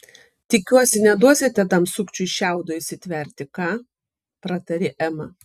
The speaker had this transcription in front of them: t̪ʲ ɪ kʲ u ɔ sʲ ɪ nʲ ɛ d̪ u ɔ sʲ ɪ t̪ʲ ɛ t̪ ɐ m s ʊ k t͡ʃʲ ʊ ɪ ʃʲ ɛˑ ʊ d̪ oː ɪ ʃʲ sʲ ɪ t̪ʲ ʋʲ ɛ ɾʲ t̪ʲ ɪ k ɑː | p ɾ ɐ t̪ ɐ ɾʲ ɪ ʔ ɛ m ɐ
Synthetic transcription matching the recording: t̪ʲ ɪ kʲ u ɔ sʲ ɪ nʲ ɛ d̪ u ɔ sʲ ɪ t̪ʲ ɛ t̪ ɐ m s ʊ k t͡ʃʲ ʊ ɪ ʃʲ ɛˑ ʊ d̪ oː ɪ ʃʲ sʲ ɪ t̪ʲ ʋʲ ɛ ɾʲ t̪ʲ ɪ k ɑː | p ɾ ɐ t̪ ɐ ɾʲ ɪ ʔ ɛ m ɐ